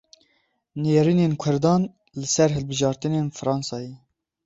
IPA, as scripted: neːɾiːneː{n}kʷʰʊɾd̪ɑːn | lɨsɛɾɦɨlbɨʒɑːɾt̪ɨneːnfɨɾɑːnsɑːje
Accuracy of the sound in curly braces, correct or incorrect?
correct